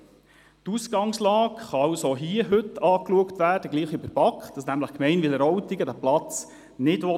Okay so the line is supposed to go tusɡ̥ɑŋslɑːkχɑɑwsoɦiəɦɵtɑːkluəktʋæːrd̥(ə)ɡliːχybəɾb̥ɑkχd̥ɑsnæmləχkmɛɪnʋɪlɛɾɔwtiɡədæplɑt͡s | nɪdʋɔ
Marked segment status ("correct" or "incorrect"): correct